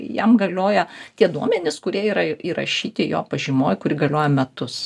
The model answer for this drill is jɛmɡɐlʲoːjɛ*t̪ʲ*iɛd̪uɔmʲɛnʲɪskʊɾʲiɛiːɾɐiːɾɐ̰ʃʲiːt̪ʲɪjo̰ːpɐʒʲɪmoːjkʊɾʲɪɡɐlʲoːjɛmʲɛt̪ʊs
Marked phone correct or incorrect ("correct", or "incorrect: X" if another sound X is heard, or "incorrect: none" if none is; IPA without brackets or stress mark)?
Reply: correct